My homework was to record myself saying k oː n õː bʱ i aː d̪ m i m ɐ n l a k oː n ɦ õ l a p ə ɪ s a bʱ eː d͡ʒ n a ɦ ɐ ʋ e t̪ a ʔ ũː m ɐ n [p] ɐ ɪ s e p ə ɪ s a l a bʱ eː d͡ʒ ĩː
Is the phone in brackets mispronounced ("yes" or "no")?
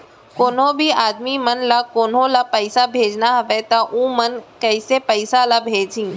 yes